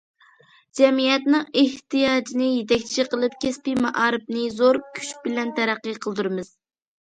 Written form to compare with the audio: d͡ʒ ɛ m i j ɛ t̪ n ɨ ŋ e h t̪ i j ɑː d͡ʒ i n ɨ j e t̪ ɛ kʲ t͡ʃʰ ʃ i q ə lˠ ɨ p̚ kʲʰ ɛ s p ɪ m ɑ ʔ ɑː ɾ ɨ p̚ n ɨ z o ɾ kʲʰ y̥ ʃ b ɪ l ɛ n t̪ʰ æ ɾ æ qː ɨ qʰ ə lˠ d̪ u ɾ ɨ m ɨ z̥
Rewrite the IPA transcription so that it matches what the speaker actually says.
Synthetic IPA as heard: d͡ʒ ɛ m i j ɛ t̪ n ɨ ŋ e h t̪ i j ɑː d͡ʒ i n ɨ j e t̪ ɛ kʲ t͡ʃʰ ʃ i q ə lˠ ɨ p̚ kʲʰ ɛ s p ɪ m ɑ ʔ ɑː ɾ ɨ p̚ n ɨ z o ɾ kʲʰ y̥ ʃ b ɪ l ɛ n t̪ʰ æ ɾ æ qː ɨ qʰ ə lˠ d̪ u ɾ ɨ m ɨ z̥